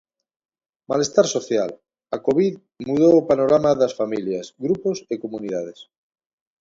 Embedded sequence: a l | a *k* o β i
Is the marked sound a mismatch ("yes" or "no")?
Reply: no